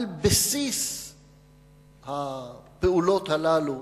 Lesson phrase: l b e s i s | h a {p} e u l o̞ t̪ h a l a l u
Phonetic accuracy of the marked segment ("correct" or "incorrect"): correct